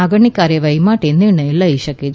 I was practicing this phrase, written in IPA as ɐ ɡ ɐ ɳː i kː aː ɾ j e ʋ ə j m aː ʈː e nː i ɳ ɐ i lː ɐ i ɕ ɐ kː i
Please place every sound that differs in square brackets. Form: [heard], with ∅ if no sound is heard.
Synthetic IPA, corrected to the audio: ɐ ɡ ɐ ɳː i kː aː ɾ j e ʋ [ɐ] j m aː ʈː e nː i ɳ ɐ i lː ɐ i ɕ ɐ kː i